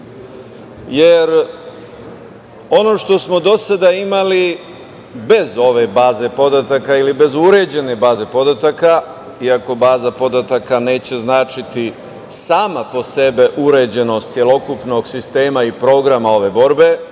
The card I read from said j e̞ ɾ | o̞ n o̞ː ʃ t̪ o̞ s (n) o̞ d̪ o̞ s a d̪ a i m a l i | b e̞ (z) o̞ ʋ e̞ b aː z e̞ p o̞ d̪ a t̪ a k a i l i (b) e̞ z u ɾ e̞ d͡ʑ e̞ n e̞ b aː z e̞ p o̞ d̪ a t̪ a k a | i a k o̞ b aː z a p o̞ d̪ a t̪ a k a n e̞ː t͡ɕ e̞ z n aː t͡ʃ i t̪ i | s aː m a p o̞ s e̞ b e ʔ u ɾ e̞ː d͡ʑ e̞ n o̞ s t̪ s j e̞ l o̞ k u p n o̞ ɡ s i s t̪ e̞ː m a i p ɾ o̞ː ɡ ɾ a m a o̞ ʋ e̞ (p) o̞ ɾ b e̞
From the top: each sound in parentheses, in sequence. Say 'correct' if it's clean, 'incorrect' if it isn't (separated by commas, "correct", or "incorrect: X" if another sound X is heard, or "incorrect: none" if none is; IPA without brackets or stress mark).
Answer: incorrect: m, correct, correct, incorrect: b